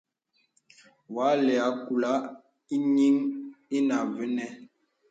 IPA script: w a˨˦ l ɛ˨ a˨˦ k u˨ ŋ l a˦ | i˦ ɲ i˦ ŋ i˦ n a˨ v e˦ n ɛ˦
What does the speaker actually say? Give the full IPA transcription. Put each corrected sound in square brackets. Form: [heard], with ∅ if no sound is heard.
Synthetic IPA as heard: w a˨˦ l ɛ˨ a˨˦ k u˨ [∅] l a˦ | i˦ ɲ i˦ ŋ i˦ n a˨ v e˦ n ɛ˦